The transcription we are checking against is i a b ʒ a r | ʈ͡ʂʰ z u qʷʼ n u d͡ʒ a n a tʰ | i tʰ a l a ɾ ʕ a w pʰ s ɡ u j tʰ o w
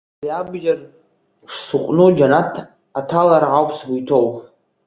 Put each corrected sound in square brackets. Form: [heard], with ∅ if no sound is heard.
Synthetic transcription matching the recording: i a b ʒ a r | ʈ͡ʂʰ [s] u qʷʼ n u d͡ʒ a n a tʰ | [a] tʰ a l a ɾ ʕ a w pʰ s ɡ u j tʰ o w